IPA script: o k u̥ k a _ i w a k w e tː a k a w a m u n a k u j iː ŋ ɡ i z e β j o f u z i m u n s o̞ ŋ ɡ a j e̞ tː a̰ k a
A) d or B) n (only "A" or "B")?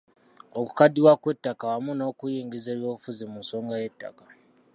A